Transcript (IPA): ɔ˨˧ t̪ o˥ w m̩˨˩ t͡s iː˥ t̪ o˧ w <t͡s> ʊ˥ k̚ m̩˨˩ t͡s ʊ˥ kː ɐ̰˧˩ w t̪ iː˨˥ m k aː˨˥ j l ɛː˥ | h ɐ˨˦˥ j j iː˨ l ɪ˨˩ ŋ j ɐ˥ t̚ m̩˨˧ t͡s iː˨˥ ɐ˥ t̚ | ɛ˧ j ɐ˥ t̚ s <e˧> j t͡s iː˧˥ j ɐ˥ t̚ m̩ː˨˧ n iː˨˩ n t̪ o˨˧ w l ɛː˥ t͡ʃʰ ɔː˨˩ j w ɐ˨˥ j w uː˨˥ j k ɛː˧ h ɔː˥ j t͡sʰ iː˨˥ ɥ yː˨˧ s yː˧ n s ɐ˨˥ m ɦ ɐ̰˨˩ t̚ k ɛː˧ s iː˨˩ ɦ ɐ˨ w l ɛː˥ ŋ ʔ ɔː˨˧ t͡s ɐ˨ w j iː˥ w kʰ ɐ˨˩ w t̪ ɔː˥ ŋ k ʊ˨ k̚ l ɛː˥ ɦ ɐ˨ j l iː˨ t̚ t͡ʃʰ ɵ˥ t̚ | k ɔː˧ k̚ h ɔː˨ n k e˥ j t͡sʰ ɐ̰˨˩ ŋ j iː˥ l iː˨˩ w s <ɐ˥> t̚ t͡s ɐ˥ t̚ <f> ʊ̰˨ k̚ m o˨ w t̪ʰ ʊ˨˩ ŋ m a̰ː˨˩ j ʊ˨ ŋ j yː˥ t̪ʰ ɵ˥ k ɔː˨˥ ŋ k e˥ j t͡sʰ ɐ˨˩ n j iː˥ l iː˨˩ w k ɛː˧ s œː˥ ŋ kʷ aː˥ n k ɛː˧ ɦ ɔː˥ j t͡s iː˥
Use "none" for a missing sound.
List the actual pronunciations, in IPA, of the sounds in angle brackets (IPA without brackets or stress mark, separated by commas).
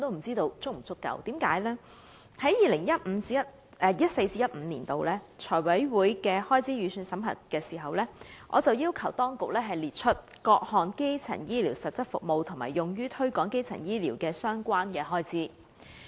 t͡s, e˧, ɐ˨, f